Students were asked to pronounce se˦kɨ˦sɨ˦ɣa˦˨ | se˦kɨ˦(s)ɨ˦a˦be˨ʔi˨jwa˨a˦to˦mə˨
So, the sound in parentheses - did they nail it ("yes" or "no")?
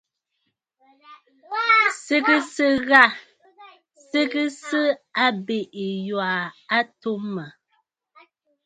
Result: yes